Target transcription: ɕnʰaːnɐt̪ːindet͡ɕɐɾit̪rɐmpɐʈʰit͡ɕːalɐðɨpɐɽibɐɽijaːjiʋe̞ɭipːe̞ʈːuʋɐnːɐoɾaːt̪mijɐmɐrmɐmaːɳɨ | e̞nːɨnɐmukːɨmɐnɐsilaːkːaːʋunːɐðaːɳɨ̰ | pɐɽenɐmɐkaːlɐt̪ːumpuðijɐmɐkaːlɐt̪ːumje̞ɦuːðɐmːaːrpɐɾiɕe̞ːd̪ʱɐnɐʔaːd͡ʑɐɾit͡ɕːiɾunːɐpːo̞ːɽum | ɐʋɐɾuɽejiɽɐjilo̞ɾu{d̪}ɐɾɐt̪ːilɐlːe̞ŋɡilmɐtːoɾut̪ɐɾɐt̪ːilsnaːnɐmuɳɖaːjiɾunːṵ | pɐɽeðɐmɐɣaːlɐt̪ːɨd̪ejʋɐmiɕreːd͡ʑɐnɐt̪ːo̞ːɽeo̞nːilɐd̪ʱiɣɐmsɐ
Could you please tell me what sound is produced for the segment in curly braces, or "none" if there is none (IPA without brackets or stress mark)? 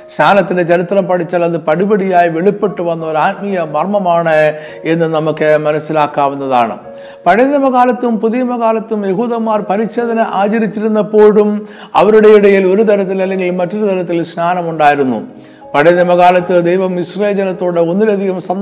t̪